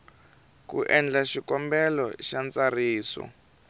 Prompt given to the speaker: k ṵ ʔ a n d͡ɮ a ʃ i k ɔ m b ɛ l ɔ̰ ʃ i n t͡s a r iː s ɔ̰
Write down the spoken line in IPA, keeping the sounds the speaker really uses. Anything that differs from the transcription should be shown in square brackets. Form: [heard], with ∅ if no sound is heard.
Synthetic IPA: k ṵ ʔ [ɛ] n d͡ɮ a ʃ i k ɔ m b ɛ l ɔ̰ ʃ [a] n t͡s a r iː s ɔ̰